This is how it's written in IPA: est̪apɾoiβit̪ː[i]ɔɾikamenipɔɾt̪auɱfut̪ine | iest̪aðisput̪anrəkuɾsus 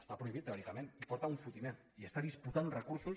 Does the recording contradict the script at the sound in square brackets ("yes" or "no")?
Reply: yes